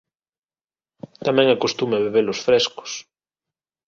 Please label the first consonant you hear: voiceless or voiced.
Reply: voiceless